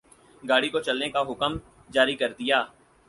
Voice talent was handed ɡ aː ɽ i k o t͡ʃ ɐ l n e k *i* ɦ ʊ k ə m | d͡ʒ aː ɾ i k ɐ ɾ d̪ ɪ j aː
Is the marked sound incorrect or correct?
incorrect